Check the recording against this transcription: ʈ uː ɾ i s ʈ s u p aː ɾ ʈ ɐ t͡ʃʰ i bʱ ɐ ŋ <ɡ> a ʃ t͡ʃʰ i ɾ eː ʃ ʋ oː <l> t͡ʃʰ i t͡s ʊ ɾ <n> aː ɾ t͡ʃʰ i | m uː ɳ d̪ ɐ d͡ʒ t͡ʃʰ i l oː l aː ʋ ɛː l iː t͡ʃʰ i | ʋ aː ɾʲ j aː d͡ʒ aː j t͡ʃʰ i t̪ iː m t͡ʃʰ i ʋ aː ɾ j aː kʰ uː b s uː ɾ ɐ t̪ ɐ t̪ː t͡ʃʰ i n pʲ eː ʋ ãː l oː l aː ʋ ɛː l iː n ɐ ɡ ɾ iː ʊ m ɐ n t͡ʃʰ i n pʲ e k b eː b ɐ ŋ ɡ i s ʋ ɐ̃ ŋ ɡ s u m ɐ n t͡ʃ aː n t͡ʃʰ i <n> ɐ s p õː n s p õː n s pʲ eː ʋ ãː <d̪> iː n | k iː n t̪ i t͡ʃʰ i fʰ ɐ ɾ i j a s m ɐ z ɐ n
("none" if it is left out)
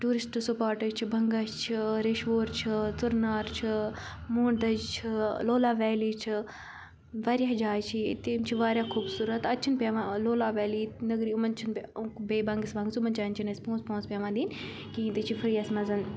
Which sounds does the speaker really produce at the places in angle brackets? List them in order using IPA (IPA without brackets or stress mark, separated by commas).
ɡ, ɾ, n, n, d̪